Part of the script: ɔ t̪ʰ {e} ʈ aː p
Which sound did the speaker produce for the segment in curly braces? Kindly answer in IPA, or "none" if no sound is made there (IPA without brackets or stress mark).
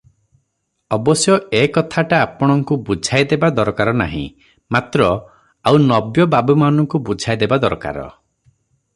a